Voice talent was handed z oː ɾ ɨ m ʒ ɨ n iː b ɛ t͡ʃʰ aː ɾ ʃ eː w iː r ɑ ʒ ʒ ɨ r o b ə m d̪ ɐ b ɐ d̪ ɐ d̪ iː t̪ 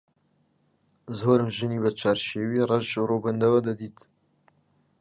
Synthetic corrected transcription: z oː ɾ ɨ m ʒ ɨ n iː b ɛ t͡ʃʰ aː ɾ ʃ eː w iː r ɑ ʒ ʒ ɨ r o b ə n d̪ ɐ w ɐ d̪ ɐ d̪ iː t̪